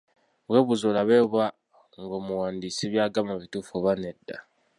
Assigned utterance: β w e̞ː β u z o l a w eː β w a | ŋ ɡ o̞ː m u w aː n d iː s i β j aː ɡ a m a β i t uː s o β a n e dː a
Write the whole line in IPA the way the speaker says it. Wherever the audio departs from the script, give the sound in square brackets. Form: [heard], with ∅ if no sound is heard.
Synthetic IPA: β w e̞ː β u z o l a [β] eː β w a | ŋ ɡ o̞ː m u w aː n d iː s i β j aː ɡ a m a β i t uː [f] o β a n e dː a